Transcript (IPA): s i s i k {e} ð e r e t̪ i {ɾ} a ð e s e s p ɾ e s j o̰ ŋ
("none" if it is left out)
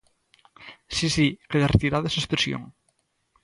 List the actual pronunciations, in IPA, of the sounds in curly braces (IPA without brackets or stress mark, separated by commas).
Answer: e, ɾ